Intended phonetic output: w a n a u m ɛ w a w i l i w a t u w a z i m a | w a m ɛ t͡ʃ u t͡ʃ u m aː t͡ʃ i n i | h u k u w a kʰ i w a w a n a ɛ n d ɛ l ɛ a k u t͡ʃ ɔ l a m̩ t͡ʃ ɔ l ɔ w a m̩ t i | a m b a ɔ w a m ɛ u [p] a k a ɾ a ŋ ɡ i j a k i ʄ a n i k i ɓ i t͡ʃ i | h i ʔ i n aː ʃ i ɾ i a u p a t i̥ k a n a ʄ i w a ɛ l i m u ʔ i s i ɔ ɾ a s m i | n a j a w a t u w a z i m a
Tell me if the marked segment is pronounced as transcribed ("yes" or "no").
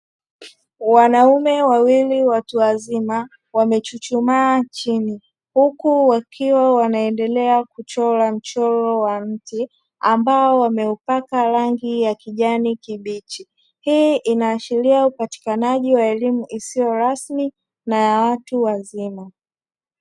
yes